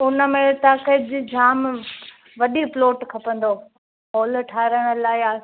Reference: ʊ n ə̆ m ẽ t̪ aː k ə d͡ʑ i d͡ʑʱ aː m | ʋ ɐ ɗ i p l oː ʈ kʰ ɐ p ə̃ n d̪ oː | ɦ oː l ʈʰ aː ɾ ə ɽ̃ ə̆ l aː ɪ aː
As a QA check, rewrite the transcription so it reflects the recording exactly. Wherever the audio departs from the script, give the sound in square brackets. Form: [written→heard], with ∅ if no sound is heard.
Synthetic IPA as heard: ʊ n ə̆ m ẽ t̪ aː k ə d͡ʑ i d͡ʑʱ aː m | ʋ ɐ ɗ i p l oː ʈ kʰ ɐ p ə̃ n d̪ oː | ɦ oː l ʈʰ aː ɾ ə ɽ̃ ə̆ l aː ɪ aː